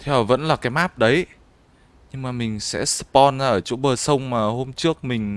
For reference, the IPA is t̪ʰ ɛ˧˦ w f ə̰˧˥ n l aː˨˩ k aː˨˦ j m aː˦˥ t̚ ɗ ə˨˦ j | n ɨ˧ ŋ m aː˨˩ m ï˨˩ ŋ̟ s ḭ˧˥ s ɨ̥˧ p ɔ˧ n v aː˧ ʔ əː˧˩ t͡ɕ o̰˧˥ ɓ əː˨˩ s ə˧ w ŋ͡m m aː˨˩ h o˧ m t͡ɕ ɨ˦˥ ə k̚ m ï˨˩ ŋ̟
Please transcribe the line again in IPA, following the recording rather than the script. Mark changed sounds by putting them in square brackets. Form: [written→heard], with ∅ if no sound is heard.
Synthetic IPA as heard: t̪ʰ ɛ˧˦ w [f→v] ə̰˧˥ n l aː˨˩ k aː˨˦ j m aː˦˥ [t̚→p̚] ɗ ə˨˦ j | [n→ɲ] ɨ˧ ŋ m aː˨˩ m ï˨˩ ŋ̟ s [ḭ˧˥→ɛ̰˧˥] s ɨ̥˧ p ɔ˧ n [v→z] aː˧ ʔ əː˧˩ t͡ɕ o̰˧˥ ɓ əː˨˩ s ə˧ w ŋ͡m m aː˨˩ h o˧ m t͡ɕ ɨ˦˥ ə k̚ m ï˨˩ ŋ̟